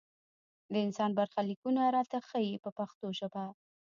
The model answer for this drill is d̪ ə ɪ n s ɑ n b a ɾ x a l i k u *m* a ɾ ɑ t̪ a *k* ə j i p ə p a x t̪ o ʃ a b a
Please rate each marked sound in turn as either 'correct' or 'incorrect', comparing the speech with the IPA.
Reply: incorrect, incorrect

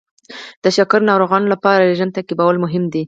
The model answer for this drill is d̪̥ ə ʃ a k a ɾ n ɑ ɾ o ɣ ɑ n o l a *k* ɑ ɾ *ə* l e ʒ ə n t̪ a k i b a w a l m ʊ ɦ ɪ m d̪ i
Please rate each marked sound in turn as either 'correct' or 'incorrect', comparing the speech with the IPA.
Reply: incorrect, incorrect

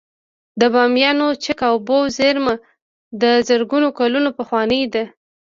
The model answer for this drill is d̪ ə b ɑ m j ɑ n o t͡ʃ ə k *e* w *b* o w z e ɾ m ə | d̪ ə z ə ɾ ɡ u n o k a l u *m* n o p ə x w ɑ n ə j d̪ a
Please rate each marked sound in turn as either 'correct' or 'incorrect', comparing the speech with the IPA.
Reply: incorrect, correct, incorrect

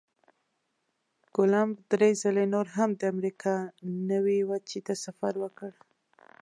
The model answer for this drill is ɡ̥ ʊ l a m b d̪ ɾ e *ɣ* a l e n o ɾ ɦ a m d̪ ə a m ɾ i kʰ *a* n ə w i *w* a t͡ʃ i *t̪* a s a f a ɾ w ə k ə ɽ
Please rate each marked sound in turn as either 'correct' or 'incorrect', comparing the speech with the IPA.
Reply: incorrect, incorrect, correct, correct

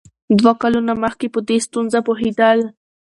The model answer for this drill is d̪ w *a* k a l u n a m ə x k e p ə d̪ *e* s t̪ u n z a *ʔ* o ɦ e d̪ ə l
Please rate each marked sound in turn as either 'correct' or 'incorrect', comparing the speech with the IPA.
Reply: correct, correct, incorrect

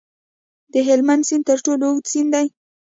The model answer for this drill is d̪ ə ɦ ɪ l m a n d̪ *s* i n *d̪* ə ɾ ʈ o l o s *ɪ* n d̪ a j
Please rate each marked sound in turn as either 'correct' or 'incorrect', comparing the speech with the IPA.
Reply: correct, incorrect, incorrect

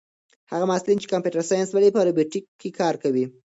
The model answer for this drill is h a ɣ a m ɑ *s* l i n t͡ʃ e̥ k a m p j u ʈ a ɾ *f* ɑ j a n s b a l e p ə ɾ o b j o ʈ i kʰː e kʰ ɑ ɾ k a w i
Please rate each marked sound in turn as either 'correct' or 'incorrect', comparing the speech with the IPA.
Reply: correct, incorrect

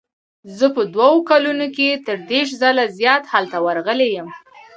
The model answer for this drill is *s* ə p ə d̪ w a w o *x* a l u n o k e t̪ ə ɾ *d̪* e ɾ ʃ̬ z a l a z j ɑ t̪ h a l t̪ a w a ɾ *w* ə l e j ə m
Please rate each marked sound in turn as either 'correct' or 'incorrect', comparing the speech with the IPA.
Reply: incorrect, incorrect, correct, incorrect

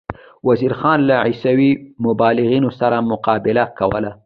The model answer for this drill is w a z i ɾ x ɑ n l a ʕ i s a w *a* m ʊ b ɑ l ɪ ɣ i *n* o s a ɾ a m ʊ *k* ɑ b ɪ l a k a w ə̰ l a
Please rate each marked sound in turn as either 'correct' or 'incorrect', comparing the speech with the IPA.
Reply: incorrect, correct, incorrect

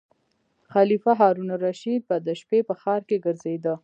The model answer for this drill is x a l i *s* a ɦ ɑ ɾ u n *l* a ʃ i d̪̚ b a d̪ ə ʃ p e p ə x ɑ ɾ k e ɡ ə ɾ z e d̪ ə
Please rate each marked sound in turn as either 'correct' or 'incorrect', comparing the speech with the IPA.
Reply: incorrect, incorrect

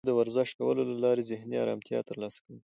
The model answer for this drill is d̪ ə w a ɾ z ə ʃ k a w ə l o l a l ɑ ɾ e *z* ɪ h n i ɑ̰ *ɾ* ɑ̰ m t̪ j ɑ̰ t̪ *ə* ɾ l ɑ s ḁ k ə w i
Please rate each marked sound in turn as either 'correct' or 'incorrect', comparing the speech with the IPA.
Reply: correct, correct, correct

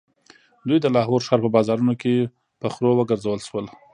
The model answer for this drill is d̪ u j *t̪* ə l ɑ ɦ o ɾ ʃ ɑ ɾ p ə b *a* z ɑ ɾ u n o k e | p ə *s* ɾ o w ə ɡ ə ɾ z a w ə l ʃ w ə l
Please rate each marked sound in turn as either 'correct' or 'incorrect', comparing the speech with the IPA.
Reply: incorrect, incorrect, incorrect

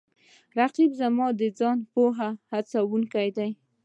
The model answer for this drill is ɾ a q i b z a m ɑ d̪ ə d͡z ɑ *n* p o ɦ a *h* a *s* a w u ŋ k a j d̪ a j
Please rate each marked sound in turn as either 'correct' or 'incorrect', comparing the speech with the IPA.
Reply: correct, correct, incorrect

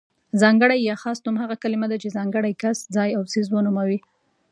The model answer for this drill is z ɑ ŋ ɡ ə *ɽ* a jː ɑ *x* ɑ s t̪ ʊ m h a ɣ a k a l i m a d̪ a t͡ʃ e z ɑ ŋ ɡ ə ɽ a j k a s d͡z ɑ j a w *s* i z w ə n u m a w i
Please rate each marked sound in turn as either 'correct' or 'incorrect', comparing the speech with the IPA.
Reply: correct, correct, correct

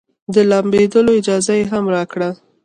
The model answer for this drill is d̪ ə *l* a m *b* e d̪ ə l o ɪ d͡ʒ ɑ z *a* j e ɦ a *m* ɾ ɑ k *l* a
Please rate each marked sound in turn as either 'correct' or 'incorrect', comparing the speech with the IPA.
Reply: correct, correct, correct, correct, incorrect

